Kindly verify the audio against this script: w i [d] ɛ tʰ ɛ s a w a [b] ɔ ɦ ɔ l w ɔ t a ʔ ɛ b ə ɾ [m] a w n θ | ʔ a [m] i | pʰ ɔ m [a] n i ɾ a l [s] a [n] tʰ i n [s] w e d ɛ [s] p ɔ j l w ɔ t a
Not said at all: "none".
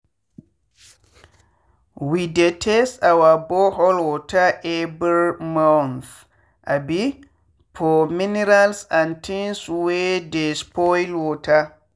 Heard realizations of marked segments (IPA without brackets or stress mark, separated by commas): d, b, m, b, i, s, n, s, s